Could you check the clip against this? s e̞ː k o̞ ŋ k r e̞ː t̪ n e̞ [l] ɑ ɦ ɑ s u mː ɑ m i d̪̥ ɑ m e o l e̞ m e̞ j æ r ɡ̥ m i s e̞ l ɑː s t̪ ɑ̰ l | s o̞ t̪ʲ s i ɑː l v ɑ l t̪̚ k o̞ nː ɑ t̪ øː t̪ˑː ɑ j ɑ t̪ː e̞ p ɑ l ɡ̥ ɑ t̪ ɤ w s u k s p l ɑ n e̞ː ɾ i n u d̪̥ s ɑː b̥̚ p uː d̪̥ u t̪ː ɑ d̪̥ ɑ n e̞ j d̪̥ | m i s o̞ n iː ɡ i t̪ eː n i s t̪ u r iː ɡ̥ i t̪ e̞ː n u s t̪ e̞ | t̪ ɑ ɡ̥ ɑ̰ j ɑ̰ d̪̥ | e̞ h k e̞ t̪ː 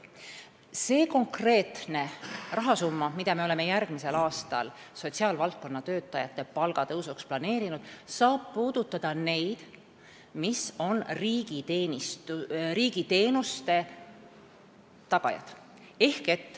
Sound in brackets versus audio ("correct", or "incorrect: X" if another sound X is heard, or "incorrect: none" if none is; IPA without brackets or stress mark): incorrect: r